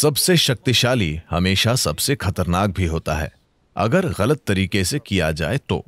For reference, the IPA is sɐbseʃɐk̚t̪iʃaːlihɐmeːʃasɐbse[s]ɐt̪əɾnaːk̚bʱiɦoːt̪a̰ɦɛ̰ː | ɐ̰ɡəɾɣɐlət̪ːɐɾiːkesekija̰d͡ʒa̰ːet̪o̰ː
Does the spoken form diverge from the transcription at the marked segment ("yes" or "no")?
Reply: yes